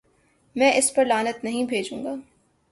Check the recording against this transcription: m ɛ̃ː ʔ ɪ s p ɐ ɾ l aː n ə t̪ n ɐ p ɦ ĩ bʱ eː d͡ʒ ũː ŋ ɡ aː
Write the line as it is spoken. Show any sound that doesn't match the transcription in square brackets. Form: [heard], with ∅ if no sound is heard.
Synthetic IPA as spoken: m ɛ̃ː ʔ ɪ s p ɐ ɾ l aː n ə t̪ n ɐ [∅] ɦ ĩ bʱ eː d͡ʒ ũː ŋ ɡ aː